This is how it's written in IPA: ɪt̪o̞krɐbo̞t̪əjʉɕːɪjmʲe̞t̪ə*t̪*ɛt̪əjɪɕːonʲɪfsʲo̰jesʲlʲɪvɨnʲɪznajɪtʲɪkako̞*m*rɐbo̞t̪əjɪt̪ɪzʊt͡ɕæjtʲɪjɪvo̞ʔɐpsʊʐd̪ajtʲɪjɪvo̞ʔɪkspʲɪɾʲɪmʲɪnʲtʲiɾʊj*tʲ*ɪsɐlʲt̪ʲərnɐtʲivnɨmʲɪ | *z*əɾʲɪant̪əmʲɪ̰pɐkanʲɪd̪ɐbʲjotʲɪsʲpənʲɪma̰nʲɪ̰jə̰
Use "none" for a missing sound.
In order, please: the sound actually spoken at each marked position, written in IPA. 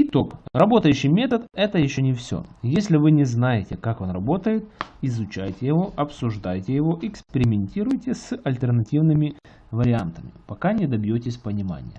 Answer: t̪, n, tʲ, v

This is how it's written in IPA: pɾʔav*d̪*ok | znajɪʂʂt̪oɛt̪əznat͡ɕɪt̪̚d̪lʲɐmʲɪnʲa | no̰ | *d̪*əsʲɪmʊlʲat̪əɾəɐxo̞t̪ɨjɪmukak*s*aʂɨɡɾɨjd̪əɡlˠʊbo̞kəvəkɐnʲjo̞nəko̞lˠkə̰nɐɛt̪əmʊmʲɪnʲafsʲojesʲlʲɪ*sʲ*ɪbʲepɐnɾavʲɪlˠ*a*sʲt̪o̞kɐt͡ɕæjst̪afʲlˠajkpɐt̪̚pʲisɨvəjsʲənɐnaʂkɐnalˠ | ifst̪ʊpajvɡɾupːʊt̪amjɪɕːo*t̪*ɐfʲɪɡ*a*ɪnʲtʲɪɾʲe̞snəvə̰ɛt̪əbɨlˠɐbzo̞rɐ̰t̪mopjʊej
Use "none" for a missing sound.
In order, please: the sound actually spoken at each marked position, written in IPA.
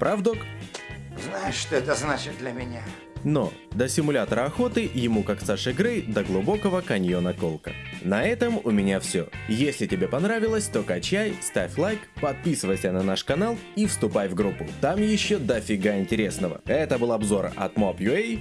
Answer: d̪, d̪, s, tʲ, ə, d̪, a

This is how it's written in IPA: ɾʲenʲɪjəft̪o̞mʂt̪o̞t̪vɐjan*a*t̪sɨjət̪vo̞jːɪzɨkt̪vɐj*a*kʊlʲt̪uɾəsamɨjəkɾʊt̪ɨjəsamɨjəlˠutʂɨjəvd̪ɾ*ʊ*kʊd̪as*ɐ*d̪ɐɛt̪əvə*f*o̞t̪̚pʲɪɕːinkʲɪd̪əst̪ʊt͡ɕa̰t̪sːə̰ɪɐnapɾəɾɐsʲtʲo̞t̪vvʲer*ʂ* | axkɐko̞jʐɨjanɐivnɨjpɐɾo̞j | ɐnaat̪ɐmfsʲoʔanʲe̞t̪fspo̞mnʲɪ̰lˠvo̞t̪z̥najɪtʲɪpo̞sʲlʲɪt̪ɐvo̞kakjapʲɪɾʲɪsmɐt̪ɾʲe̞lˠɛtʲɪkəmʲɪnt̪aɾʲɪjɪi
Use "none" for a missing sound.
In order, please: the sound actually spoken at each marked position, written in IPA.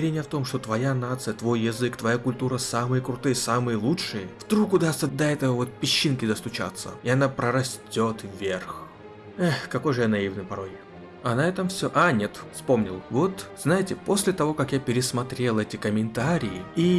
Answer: a, a, u, ə, v, x

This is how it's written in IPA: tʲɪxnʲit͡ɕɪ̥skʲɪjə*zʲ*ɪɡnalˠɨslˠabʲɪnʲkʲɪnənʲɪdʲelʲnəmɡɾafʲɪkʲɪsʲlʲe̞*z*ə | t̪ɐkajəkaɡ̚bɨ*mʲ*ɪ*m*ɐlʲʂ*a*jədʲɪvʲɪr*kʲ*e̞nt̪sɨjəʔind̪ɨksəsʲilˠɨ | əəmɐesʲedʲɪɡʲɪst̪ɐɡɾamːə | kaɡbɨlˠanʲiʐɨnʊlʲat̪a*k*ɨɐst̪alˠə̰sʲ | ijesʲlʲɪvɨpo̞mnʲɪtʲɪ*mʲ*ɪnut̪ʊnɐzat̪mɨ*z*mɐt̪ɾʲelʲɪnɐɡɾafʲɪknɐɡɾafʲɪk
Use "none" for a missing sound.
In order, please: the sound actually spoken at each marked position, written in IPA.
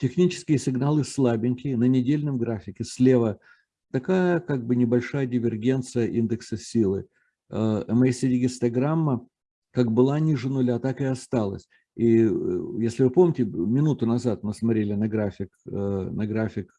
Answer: sʲ, v, nʲ, b, a, ɡʲ, k, mʲ, s

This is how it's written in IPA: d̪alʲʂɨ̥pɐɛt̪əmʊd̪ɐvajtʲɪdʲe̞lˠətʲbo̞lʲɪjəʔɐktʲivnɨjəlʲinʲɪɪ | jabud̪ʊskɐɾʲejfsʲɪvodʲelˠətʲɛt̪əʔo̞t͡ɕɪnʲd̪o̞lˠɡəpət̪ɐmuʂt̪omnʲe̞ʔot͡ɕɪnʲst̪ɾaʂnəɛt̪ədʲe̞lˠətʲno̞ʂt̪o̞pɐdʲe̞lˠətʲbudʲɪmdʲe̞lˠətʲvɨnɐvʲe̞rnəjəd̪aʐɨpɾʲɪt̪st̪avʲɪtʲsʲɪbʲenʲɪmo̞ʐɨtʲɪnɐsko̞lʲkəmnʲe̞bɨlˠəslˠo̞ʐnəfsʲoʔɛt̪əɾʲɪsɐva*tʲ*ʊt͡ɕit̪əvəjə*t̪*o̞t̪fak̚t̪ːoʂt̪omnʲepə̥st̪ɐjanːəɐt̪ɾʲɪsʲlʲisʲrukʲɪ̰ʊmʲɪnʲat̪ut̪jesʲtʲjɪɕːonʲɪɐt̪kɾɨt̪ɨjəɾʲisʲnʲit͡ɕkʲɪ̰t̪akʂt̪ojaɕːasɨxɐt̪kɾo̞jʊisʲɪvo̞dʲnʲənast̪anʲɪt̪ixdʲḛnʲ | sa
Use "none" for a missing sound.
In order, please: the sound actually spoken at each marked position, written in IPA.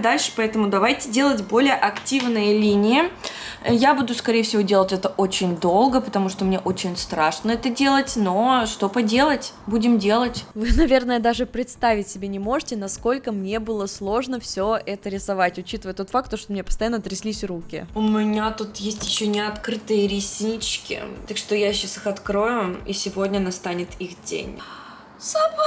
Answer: tʲ, t̪

